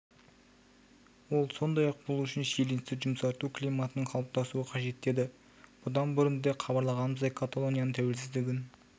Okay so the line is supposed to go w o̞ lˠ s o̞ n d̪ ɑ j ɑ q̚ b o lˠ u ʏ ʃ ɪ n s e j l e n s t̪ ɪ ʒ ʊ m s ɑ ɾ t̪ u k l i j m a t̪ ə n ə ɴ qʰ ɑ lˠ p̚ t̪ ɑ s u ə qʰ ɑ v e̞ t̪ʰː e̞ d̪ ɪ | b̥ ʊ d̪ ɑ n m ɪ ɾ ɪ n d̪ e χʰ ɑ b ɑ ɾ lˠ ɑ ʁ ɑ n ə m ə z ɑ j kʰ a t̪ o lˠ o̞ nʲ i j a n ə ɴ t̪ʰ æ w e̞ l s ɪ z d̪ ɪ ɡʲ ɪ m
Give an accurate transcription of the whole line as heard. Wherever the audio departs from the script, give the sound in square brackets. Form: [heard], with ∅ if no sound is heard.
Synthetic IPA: w o̞ lˠ s o̞ n d̪ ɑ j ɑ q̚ b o lˠ u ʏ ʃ ɪ n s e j l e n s t̪ ɪ ʒ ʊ m s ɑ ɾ t̪ u k l i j m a t̪ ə n ə ɴ qʰ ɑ lˠ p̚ t̪ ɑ s u ə qʰ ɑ [ʒ] e̞ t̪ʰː e̞ d̪ ɪ | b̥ ʊ d̪ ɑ n [b] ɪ ɾ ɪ n d̪ e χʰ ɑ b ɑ ɾ lˠ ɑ ʁ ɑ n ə m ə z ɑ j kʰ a t̪ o lˠ o̞ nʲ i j a n ə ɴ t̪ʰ æ w e̞ l s ɪ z d̪ ɪ ɡʲ ɪ [n]